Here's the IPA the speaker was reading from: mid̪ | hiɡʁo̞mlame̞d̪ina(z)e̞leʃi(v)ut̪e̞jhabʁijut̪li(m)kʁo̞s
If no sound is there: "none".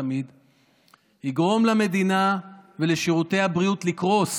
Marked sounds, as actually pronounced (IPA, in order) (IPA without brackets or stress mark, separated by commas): v, ʁ, none